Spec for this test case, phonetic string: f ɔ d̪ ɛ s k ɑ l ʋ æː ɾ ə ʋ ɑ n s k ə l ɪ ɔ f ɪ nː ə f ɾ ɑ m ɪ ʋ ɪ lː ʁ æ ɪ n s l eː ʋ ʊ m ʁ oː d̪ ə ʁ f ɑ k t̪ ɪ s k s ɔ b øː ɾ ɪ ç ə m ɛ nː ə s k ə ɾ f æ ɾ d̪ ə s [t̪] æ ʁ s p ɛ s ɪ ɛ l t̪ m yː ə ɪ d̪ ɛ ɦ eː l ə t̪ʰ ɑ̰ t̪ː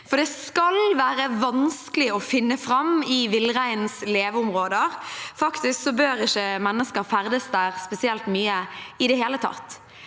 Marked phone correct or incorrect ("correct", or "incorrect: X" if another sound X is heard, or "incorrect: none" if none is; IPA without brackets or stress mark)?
incorrect: d̪